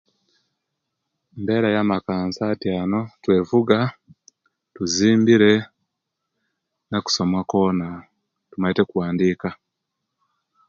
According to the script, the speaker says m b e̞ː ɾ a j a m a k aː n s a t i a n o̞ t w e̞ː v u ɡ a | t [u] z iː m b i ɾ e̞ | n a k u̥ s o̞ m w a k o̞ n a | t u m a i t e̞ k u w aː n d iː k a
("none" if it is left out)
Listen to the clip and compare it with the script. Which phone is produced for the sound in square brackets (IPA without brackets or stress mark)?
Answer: u